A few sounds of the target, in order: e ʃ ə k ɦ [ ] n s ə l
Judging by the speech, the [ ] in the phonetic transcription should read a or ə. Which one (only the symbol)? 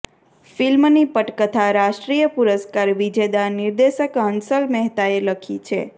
ə